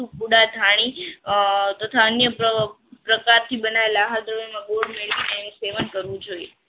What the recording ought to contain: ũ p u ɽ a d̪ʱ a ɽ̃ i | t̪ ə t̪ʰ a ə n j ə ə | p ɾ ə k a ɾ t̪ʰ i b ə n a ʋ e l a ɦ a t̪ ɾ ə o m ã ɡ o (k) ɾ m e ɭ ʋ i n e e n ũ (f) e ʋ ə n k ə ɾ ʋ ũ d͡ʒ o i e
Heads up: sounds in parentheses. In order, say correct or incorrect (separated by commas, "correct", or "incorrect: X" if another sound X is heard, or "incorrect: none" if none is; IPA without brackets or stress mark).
incorrect: none, incorrect: s